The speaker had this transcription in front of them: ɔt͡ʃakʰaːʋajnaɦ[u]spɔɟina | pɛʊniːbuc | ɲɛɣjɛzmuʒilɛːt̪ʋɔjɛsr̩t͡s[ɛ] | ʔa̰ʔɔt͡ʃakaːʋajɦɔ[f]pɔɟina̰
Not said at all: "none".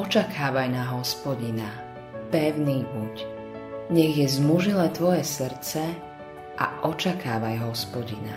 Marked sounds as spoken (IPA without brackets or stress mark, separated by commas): ɔ, ɛ, s